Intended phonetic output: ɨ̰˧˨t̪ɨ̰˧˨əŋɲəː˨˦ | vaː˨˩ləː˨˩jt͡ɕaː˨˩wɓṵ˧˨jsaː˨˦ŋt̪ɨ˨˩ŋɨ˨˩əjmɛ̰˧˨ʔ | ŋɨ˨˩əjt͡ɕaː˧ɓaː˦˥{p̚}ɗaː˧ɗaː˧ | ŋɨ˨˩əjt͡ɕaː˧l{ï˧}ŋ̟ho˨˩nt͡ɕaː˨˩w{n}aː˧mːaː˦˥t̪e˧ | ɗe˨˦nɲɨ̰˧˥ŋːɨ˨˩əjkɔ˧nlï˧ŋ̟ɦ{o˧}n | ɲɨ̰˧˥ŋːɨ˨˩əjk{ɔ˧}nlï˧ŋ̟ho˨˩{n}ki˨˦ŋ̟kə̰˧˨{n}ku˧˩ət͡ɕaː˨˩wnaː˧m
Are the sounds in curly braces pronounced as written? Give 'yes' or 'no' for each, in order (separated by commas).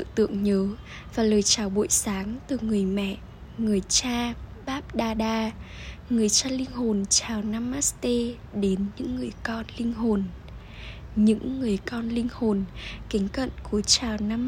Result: yes, yes, yes, no, yes, yes, yes